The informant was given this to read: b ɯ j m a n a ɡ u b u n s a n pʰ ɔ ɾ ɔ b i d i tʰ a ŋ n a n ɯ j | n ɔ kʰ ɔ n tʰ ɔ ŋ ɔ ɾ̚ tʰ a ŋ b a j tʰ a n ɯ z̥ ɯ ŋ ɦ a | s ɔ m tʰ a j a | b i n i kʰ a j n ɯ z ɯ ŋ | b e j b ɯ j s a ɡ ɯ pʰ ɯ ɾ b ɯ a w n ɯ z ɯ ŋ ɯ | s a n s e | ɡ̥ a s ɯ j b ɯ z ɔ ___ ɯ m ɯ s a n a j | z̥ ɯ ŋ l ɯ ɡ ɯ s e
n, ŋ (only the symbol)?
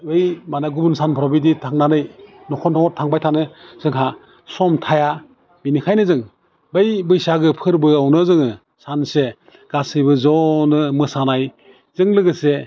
n